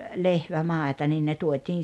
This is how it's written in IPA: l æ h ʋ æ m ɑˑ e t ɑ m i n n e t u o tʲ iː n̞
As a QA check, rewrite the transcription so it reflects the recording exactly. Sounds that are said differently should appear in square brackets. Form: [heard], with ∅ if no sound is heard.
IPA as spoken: l [e] h ʋ æ m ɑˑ e t ɑ [n] i n n e t u o tʲ iː n̞

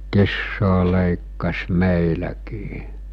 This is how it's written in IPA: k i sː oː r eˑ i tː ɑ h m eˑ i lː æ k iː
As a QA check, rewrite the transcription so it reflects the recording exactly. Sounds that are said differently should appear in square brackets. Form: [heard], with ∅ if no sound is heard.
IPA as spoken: k i sː oː [l] eˑ i [kː] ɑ [s] m eˑ i [l] æ k iː

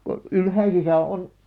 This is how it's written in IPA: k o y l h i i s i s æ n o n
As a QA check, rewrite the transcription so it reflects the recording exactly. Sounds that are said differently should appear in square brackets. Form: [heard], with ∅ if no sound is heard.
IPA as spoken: k o y l h [æ] i s i s æ [∅] o n

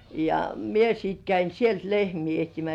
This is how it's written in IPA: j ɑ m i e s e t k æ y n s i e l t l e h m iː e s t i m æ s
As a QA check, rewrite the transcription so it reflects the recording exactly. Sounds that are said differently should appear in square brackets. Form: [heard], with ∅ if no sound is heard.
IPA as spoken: j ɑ m i e s [i] t k æ [i] n s i e l t l e h m iː e [h] t i m æ s

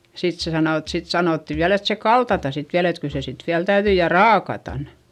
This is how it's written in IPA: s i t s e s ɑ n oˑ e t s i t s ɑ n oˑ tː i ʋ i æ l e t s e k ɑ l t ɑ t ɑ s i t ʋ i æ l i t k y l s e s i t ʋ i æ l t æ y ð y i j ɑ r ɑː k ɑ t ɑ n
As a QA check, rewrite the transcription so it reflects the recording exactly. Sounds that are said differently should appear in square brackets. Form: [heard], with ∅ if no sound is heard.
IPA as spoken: s i t s e s ɑ n oˑ e t s i t s ɑ n oˑ tː i ʋ i æ l e t s e k ɑ l t ɑ t ɑ s i t ʋ i æ l [e] t k y l s e s i t ʋ i æ l t æ y ð y i j ɑ r ɑː k ɑ t ɑ n

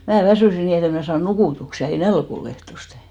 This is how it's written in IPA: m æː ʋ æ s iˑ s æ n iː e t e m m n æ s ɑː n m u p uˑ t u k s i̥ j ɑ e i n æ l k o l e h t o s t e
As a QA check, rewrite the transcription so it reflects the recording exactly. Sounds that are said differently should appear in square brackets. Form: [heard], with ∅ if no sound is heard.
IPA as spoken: m æː ʋ æ s [yˑ] s [i] n iː e t e m m n æ s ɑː n [n] u [k] uˑ t u k s i̥ j ɑ e i n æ l k o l e h t o s t e

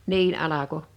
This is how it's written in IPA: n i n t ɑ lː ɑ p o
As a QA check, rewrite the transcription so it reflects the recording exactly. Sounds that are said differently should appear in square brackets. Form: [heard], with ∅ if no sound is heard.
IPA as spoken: n [iː] n [ʔ] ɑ [l] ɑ [k] o

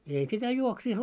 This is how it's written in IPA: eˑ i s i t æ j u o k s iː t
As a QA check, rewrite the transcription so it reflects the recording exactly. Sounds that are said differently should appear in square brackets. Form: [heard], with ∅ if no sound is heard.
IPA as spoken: eˑ i s i t æ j u o k s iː [s]

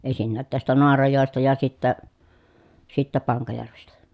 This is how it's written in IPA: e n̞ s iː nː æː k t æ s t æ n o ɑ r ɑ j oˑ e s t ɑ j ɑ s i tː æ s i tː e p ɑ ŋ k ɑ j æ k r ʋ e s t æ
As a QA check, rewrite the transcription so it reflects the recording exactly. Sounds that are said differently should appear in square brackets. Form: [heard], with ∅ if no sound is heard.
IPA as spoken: e n̞ s [i] nː æː [t] t æ s t æ n o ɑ r ɑ j oˑ e s t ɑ j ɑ s i tː æ s i tː [æ] p ɑ ŋ k ɑ j æ [∅] r ʋ e s t æ

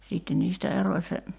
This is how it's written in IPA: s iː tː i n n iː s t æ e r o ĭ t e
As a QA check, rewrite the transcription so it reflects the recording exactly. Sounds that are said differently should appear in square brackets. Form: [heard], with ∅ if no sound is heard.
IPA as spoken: s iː tː [e] n n iː s t æ e r o ĭ [s] e

